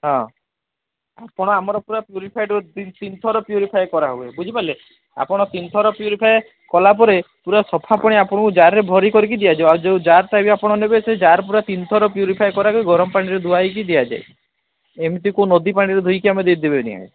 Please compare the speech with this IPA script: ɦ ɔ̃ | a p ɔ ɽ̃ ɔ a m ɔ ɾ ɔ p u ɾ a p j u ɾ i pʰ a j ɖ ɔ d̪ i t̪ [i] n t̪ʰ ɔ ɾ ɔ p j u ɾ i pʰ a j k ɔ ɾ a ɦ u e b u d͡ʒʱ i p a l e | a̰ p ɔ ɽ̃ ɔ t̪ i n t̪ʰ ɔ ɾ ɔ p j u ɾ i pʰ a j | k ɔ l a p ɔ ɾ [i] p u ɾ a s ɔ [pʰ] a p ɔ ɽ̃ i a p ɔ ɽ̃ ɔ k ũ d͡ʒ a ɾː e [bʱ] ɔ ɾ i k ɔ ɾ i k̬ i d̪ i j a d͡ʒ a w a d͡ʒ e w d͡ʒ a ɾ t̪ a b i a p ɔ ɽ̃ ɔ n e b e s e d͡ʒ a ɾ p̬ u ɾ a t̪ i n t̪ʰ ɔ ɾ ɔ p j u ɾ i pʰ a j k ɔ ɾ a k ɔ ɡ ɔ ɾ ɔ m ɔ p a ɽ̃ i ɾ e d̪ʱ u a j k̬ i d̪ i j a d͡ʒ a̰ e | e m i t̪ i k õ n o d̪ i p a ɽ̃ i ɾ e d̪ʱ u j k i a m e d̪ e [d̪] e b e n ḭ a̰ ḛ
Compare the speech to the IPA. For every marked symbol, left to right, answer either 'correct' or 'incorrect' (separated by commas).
correct, incorrect, correct, correct, correct